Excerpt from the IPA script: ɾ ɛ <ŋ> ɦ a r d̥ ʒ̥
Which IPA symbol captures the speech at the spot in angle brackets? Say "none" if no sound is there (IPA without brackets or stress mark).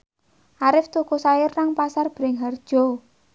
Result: ŋ